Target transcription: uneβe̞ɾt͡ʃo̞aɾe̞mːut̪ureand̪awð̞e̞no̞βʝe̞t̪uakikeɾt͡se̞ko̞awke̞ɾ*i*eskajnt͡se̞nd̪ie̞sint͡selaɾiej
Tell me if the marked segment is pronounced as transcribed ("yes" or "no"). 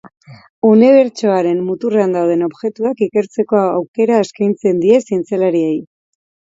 no